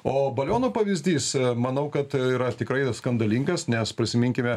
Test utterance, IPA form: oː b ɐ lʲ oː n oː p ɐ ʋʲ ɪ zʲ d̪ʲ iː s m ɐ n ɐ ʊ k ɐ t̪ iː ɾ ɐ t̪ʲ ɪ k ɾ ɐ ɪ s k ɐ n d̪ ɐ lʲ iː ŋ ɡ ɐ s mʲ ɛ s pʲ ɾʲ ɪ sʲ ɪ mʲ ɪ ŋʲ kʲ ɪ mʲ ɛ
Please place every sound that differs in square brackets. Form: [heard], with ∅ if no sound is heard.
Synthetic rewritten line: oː b ɐ lʲ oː n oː p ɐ ʋʲ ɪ zʲ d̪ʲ iː s m ɐ n ɐ ʊ k ɐ t̪ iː ɾ ɐ t̪ʲ ɪ k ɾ ɐ ɪ s k ɐ n d̪ ɐ lʲ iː ŋ ɡ ɐ s [nʲ] ɛ s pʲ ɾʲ ɪ sʲ ɪ mʲ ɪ ŋʲ kʲ ɪ mʲ ɛ